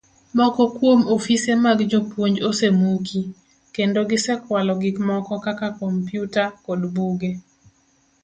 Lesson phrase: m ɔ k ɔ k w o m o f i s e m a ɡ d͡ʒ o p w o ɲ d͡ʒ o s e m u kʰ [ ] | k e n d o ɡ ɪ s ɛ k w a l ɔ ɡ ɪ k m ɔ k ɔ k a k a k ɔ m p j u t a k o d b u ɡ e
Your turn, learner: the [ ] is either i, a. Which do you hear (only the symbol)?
i